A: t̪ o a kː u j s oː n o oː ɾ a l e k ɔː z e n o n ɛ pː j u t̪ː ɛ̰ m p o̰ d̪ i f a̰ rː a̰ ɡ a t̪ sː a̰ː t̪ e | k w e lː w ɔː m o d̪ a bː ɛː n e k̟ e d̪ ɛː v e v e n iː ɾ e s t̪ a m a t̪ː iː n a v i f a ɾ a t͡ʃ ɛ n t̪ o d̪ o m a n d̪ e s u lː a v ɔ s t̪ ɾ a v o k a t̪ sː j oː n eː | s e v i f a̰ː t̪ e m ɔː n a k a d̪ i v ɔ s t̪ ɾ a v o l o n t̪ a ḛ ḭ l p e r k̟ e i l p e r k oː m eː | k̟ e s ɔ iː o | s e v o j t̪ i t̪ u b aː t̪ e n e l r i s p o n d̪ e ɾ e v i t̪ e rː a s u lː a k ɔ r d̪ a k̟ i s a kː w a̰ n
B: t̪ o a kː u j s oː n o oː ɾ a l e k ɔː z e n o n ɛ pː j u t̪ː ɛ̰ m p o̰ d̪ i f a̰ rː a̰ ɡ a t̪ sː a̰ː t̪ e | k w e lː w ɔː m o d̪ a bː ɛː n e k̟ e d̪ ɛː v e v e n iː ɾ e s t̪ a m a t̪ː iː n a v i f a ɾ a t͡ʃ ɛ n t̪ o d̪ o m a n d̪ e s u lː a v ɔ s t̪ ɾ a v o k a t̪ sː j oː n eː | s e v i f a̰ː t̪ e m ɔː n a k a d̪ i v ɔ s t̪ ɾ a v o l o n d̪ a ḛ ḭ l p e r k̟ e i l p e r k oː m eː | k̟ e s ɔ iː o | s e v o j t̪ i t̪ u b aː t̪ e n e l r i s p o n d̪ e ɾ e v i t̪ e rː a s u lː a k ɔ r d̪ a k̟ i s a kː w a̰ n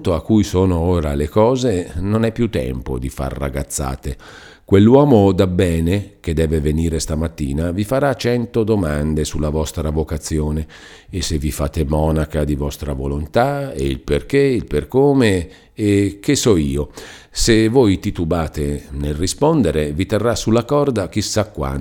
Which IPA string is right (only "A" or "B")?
A